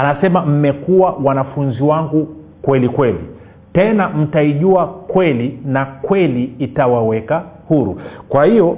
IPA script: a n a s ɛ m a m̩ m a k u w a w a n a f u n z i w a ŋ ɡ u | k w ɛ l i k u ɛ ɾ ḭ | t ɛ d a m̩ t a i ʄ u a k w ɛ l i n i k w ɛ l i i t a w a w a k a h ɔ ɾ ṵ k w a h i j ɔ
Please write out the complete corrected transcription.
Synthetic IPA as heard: a n a s ɛ m a m̩ m ɛ k u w a w a n a f u n z i w a ŋ ɡ u | k w ɛ l i k w ɛ l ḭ | t ɛ n a m̩ t a i ʄ u a k w ɛ l i n a k w ɛ l i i t a w a w ɛ k a h u ɾ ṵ k w a h i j ɔ